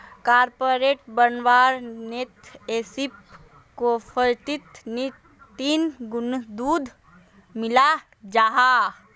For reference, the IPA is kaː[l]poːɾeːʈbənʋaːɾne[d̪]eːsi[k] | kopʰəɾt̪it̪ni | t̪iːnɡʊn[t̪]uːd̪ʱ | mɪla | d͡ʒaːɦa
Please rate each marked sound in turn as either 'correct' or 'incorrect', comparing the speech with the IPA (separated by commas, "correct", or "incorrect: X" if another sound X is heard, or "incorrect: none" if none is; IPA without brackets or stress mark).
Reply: incorrect: ɾ, incorrect: t̪, incorrect: p, incorrect: d̪